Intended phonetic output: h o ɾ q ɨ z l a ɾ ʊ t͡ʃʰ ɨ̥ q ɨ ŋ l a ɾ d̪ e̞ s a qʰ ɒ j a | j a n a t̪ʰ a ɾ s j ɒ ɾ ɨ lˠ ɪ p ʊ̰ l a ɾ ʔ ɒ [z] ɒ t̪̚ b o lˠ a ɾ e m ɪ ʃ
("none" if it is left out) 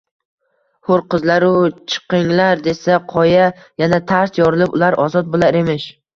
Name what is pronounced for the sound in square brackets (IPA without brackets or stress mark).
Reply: z